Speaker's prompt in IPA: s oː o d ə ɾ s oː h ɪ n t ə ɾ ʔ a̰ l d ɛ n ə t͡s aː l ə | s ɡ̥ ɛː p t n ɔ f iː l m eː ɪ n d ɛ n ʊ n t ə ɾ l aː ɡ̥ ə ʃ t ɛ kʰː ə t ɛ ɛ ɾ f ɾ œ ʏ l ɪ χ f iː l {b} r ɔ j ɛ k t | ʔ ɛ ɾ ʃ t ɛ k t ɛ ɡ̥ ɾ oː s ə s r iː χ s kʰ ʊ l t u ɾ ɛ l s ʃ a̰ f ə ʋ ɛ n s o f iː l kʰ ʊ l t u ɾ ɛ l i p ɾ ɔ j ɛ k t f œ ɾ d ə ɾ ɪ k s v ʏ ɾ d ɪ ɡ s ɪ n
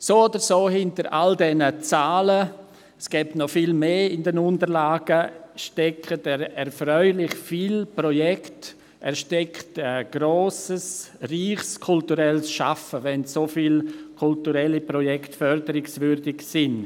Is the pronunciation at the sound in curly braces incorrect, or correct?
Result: incorrect